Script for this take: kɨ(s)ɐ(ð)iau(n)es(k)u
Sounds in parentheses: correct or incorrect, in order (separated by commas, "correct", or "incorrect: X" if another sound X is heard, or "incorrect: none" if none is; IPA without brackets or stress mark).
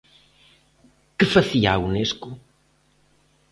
incorrect: f, incorrect: θ, correct, correct